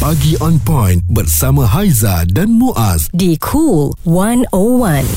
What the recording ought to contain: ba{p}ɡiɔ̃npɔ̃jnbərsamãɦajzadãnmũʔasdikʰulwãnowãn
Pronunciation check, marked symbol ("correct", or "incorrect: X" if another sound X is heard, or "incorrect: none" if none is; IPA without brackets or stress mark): incorrect: none